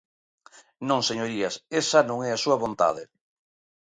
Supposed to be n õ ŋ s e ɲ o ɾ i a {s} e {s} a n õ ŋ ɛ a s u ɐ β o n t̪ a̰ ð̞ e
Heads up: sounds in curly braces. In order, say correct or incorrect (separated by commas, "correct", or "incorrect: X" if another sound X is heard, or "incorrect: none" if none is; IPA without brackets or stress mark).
correct, correct